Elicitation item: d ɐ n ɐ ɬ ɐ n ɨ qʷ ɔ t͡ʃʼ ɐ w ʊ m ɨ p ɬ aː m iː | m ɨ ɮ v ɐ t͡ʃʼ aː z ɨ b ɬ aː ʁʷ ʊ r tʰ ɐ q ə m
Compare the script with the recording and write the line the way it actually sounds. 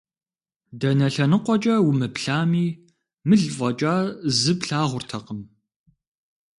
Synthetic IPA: d ɐ n ɐ ɬ ɐ n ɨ qʷ ɔ t͡ʃʼ ɐ w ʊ m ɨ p ɬ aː m iː | m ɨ ɮ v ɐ t͡ʃʼ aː z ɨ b ɬ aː ʁʷ ʊ r tʰ ɐ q ə m

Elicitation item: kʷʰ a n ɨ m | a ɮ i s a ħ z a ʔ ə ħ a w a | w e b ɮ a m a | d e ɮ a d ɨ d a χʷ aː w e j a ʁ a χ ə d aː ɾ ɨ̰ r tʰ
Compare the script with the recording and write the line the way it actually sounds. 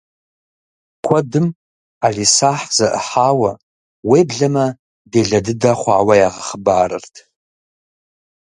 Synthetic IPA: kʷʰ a d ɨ m | a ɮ i s a ħ z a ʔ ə ħ a w a | w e b ɮ a m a | d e ɮ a d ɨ d a χʷ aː w a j a ʁ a χ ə b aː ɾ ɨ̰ r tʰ

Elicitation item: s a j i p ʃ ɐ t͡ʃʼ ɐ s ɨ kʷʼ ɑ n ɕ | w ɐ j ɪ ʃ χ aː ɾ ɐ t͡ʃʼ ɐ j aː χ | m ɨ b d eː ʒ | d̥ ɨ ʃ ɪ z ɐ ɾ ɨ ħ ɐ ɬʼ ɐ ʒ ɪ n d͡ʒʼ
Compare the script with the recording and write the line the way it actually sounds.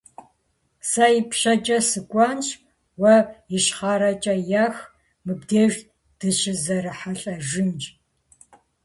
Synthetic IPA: s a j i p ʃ ɐ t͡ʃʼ ɐ s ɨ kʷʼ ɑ n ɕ | w ɐ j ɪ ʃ χ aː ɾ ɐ t͡ʃʼ ɐ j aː x | m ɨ b d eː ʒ | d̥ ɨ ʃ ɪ z ɐ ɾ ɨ ħ a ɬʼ ɐ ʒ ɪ n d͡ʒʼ

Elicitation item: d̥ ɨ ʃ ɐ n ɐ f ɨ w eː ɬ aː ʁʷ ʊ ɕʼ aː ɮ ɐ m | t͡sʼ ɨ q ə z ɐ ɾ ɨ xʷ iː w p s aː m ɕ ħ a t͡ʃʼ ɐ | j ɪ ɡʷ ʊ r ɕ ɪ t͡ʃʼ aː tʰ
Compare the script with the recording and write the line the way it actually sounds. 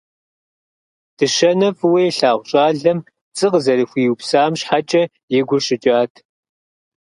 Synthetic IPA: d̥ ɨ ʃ ɐ n ɐ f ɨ w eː ɬ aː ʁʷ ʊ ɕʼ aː ɮ ɐ m | t͡sʼ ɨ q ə z ɐ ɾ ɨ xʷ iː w p s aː m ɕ ħ a t͡ʃʼ ɐ | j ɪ ɡʷ ʊ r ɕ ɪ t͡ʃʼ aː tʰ

